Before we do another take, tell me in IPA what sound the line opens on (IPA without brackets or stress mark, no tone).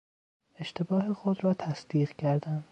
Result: e̞